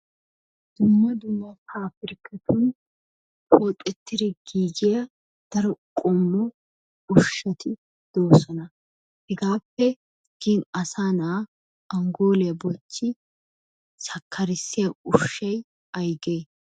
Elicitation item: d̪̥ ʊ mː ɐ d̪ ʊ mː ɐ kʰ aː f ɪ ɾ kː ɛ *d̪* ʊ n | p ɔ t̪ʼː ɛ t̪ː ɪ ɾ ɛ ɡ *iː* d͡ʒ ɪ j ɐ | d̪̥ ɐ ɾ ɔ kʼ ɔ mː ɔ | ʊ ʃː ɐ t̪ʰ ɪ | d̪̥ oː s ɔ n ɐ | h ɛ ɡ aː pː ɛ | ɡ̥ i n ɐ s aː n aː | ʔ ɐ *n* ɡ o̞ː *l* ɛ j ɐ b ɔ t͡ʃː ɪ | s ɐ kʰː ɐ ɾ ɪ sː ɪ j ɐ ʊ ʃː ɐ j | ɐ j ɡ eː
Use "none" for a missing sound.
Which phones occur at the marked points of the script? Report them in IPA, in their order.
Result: t̪, iː, ŋ, l

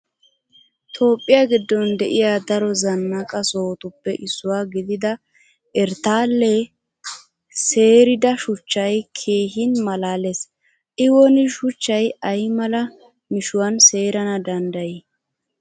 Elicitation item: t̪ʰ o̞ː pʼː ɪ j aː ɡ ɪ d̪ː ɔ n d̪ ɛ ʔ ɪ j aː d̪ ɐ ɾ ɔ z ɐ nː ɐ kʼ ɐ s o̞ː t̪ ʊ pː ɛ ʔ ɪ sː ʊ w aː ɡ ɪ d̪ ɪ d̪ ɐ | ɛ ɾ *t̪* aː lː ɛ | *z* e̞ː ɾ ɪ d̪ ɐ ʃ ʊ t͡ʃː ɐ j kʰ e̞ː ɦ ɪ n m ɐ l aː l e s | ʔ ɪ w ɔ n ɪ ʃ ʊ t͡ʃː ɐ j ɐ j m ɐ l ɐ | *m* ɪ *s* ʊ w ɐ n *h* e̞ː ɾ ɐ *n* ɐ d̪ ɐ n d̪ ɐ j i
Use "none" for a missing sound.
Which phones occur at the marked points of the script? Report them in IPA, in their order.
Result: t̪, s, m, ʃ, s, n

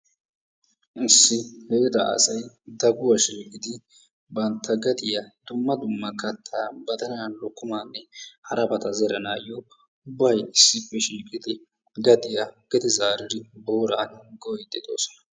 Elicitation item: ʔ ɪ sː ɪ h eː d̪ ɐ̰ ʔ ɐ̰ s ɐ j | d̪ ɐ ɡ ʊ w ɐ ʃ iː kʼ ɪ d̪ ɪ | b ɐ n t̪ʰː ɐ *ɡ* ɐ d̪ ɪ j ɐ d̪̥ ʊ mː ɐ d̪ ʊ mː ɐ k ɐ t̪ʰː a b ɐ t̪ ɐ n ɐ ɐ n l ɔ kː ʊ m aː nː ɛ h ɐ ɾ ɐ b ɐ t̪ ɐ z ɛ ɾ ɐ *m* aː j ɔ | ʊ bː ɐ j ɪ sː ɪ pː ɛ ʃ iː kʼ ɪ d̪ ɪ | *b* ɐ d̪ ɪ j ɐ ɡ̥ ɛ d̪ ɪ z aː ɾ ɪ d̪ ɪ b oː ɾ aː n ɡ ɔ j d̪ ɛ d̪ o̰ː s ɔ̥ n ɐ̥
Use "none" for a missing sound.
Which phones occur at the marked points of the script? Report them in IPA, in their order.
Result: ɡ, n, ɡ

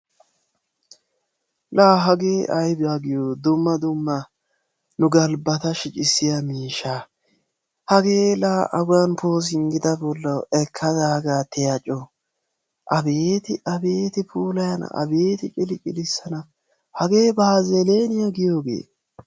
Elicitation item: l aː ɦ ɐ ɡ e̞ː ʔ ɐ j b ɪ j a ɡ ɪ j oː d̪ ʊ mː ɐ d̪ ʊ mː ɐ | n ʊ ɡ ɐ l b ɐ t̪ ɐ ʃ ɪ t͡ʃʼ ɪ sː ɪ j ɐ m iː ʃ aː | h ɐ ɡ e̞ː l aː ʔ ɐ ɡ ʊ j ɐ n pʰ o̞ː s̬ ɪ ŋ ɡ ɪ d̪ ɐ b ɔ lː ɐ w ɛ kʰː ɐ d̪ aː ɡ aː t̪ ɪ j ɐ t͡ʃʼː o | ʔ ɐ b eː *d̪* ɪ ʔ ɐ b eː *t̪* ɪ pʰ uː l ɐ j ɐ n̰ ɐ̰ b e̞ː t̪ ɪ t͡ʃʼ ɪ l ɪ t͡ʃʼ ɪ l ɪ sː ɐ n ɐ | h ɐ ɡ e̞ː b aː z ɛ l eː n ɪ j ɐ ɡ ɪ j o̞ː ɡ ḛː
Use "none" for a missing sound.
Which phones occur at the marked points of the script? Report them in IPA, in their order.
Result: t̪, t̪

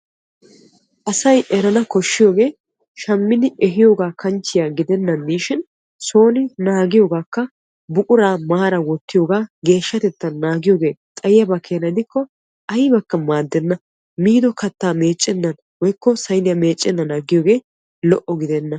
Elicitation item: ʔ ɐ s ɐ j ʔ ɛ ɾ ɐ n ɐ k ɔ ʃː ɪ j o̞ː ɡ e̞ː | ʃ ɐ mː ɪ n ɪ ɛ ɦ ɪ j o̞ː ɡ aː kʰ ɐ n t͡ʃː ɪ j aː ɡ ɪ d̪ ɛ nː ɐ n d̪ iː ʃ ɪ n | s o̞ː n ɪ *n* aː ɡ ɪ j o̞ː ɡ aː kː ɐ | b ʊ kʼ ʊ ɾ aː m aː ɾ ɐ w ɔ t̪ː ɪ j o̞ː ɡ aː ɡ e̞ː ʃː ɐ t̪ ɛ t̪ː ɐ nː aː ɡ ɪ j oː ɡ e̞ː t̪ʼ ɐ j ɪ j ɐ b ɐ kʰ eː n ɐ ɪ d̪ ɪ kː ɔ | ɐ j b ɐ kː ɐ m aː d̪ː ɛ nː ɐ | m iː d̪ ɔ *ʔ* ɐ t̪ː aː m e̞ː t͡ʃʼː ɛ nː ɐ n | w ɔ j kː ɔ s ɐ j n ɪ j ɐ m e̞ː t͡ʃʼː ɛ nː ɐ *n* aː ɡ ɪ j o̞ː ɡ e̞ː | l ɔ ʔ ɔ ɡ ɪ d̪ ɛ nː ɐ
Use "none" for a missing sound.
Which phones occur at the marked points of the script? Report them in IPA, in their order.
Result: n, k, n

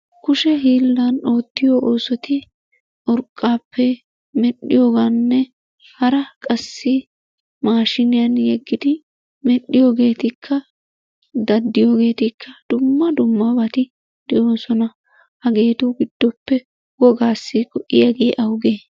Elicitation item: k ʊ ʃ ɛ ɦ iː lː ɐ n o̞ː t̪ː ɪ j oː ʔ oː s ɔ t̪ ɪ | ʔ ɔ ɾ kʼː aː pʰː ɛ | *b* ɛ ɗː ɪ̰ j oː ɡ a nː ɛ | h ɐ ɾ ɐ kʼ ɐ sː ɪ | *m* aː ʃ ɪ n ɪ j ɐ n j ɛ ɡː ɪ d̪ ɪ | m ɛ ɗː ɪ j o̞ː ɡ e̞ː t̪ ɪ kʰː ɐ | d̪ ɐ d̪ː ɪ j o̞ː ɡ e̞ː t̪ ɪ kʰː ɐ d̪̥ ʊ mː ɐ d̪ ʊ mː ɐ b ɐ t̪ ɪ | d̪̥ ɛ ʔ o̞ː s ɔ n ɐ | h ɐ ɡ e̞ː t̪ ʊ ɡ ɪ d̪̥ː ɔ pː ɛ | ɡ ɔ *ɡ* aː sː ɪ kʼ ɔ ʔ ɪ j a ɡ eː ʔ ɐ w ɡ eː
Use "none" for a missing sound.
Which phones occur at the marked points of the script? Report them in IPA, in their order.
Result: m, m, ɡ

